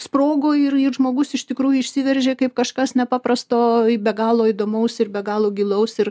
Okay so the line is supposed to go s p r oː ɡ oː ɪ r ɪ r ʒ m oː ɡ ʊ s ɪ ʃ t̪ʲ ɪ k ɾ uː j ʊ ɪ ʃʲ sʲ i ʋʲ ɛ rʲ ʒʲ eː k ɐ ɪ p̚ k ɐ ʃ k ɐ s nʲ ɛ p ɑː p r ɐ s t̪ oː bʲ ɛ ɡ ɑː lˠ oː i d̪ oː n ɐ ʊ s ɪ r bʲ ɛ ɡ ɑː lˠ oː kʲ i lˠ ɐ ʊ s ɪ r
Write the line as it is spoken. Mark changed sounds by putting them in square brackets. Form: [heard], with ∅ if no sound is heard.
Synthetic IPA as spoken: s p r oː ɡ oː ɪ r ɪ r ʒ m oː ɡ ʊ s ɪ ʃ t̪ʲ ɪ k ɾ uː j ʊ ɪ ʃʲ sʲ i ʋʲ ɛ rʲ ʒʲ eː k ɐ ɪ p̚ k ɐ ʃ k ɐ s nʲ ɛ p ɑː p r ɐ s t̪ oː bʲ ɛ ɡ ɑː lˠ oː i d̪ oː [m] ɐ ʊ s ɪ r bʲ ɛ ɡ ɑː lˠ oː [ɡʲ] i lˠ ɐ ʊ s ɪ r